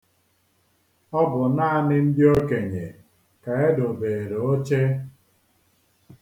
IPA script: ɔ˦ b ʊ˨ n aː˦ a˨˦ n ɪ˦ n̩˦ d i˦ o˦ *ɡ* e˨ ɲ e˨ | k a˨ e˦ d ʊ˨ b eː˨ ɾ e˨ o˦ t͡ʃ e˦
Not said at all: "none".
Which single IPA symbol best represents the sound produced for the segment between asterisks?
k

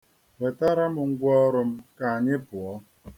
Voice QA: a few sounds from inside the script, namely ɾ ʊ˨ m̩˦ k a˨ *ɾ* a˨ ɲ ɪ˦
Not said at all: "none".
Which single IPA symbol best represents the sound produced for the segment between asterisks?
none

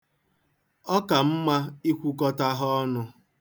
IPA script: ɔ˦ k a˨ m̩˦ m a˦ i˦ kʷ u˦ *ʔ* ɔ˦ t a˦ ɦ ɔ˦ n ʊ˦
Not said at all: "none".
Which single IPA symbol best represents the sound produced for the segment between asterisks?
k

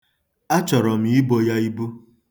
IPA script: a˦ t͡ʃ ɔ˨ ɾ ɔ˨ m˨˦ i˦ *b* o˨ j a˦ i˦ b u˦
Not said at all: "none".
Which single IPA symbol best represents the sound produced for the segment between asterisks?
b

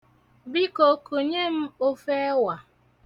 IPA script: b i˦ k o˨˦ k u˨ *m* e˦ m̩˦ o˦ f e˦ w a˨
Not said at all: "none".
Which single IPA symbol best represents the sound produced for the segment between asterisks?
ɲ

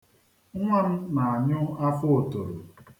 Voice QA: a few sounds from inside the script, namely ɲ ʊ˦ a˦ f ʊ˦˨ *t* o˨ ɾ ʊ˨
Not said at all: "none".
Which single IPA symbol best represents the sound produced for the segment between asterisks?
t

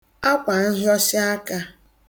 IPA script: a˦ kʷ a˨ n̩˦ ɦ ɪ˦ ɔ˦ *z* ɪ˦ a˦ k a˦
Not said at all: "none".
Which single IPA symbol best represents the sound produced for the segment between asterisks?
s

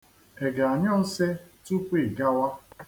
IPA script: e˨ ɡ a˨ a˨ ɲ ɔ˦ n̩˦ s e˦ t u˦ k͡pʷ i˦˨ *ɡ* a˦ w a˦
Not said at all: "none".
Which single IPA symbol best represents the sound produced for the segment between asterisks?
ɡ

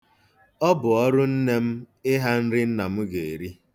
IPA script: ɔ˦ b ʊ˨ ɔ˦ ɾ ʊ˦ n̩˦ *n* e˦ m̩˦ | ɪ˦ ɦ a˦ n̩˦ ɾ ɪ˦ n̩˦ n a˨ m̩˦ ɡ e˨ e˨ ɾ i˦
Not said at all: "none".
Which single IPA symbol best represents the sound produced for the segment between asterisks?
n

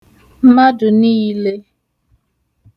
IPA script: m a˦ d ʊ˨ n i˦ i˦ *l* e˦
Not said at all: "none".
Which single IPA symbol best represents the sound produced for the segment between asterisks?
l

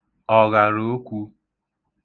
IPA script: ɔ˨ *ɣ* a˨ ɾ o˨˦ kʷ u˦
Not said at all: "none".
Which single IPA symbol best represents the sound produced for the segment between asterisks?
ɣ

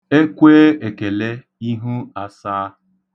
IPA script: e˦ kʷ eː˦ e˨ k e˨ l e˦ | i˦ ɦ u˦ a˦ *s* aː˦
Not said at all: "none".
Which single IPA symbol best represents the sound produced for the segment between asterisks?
s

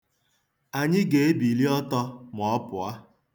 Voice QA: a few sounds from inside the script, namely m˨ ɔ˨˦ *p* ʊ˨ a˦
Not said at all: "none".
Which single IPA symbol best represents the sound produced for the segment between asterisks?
p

